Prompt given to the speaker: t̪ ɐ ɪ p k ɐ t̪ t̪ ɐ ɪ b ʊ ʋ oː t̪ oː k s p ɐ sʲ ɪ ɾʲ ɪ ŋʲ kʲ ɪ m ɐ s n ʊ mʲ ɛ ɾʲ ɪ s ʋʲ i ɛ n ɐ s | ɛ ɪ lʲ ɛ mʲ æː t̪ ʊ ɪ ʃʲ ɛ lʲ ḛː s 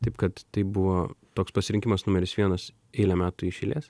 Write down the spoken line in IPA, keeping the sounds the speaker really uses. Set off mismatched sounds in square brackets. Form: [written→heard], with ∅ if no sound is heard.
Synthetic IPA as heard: t̪ ɐ ɪ p k ɐ t̪ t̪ ɐ ɪ b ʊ ʋ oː t̪ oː k s p ɐ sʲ ɪ ɾʲ ɪ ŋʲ kʲ ɪ m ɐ s n ʊ mʲ ɛ ɾʲ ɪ s ʋʲ i ɛ n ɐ s | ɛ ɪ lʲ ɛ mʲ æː t̪ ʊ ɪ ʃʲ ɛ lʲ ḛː s